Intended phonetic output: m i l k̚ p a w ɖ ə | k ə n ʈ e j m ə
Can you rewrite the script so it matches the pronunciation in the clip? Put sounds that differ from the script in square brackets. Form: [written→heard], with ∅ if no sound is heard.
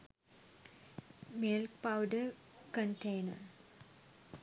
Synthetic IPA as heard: m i l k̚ p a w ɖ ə | k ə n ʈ e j [m→n] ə